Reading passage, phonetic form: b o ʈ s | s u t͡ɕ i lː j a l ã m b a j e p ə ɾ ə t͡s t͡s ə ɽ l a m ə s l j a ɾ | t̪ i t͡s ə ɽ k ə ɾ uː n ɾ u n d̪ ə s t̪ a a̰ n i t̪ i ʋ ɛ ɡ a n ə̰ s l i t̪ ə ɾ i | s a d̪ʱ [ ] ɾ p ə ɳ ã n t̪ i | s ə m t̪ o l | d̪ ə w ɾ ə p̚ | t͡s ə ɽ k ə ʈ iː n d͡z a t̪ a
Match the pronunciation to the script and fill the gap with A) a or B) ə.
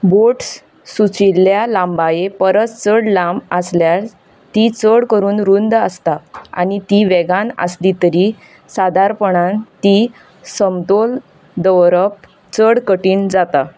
A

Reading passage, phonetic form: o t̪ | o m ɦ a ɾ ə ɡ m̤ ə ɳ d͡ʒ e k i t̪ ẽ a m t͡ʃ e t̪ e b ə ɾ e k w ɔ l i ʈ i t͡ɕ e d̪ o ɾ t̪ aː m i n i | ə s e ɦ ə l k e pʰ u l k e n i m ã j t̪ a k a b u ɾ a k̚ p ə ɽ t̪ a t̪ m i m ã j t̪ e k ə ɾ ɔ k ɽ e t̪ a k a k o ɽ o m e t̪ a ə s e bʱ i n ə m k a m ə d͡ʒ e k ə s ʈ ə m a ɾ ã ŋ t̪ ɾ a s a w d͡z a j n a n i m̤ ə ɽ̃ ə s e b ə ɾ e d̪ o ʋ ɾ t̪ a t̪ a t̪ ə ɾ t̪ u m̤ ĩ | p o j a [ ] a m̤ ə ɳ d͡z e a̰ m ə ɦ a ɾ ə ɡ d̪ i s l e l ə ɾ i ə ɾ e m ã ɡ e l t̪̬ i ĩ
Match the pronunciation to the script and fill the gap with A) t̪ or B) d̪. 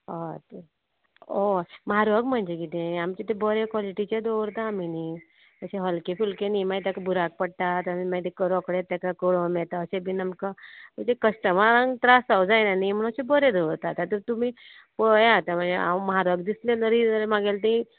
A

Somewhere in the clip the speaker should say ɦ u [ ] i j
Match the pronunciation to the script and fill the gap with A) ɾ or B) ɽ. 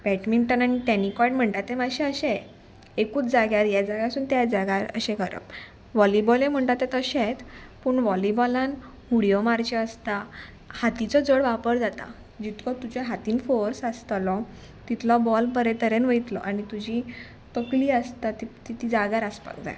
B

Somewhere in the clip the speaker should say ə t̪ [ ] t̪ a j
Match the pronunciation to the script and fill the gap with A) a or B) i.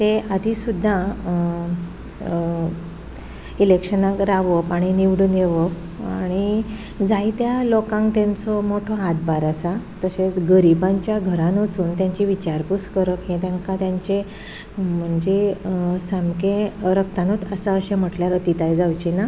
B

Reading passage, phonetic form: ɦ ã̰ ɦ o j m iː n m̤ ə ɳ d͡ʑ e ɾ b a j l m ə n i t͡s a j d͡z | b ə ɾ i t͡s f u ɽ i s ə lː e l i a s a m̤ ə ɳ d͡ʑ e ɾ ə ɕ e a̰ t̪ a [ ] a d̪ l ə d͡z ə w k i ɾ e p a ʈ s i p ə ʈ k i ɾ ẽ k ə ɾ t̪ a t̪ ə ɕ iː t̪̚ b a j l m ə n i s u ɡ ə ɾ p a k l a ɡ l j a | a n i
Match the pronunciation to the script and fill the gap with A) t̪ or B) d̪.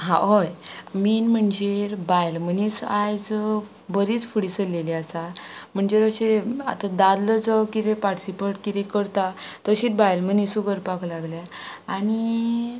B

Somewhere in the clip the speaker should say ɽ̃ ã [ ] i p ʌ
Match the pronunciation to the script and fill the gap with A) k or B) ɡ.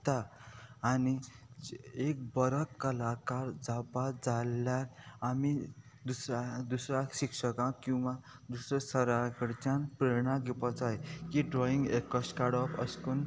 B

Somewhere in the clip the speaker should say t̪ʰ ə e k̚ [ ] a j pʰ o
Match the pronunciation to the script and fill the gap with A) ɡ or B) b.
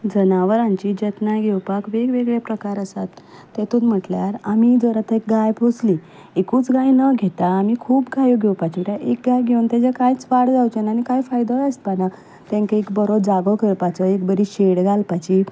A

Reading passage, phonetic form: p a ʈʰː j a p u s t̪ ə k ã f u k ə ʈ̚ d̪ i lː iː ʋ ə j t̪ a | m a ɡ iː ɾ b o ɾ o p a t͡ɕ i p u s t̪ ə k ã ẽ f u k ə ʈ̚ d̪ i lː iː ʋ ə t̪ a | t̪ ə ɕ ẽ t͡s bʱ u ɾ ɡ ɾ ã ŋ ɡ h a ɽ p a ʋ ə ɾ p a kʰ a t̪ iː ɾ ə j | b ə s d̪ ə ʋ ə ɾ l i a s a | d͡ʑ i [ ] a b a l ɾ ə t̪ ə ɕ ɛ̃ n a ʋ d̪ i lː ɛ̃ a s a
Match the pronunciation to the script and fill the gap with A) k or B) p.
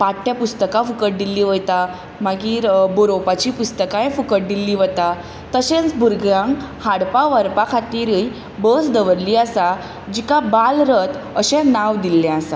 A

